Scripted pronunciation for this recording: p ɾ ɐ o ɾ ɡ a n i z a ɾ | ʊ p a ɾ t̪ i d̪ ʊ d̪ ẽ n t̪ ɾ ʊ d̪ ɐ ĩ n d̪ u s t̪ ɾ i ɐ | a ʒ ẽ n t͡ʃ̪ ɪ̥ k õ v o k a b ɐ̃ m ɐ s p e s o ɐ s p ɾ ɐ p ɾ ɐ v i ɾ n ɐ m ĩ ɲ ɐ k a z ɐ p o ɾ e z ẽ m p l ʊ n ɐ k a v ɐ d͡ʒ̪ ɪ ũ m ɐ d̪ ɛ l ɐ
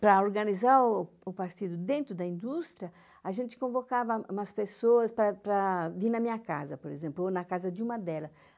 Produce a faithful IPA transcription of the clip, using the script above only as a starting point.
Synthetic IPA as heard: p ɾ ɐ o ɾ ɡ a n i z a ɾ | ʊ p a ɾ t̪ i d̪ ʊ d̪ ẽ n t̪ ɾ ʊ d̪ ɐ ĩ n d̪ u s t̪ ɾ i ɐ | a ʒ ẽ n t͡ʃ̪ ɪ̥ k õ v o k a v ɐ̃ m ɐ s p e s o ɐ s p ɾ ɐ p ɾ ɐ v i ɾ n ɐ m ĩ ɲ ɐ k a z ɐ p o ɾ e z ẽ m p l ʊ n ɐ k a z ɐ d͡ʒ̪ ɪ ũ m ɐ d̪ ɛ l ɐ

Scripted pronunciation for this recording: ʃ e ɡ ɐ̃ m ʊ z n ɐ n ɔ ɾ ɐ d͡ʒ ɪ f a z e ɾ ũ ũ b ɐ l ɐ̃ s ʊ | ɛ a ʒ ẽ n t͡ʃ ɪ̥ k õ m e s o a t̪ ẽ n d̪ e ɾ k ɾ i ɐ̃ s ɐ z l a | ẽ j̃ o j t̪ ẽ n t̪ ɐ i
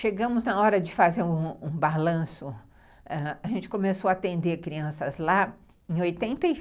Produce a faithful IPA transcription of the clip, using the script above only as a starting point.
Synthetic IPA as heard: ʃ e ɡ ɐ̃ m ʊ z n ɐ ɔ ɾ ɐ d͡ʒ ɪ f a z e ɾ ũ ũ b a l ɐ̃ s ʊ | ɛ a ʒ ẽ n t͡ʃ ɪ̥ k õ m e s o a t̪ ẽ n d̪ e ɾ k ɾ i ɐ̃ s ɐ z l a | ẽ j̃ o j t̪ ẽ n t̪ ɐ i

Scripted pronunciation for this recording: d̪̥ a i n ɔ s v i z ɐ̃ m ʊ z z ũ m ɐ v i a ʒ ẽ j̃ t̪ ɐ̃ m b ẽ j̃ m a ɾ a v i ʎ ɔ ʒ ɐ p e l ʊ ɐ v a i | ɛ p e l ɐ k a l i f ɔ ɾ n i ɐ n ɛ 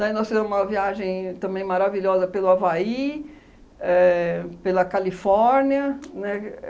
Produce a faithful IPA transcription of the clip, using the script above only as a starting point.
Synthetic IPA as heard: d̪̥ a i n ɔ s f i z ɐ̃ m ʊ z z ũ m ɐ v i a ʒ ẽ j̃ t̪ ɐ̃ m b ẽ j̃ m a ɾ a v i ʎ ɔ z ɐ p e l ʊ a v a i | ɛ p e l ɐ k a l i f ɔ ɾ n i ɐ n ɛ

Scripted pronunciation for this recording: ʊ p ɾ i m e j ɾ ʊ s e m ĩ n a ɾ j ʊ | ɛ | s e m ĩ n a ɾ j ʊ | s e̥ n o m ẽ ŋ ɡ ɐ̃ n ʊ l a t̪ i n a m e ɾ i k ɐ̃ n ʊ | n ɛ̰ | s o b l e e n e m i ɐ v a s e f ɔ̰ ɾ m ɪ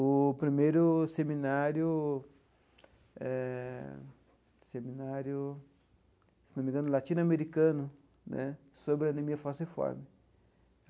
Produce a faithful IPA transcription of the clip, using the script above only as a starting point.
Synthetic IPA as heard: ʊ p ɾ i m e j ɾ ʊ s e m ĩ n a ɾ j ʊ | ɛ | s e m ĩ n a ɾ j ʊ | s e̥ n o m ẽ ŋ ɡ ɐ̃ n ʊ l a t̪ i n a m e ɾ i k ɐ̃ n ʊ | n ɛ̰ | s o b ɾ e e n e m i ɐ f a s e f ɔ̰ ɾ m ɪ

